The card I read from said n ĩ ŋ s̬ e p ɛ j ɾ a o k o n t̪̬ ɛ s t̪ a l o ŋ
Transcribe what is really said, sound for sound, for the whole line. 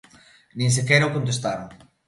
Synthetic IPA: n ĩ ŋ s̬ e k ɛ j ɾ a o k o n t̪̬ e s t̪ a ɾ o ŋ